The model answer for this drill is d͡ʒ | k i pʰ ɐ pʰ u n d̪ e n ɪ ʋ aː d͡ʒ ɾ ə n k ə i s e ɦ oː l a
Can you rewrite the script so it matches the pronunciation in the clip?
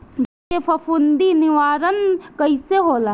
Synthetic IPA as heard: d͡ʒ | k e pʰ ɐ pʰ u n d̪ i n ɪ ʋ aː ɾ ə n k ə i s e ɦ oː l a